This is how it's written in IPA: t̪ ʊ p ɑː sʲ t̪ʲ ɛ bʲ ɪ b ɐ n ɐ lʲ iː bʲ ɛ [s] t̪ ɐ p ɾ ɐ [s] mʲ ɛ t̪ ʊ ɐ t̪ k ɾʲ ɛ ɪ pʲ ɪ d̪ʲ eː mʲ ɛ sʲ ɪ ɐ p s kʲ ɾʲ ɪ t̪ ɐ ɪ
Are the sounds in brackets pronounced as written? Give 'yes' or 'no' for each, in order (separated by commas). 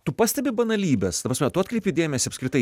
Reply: yes, yes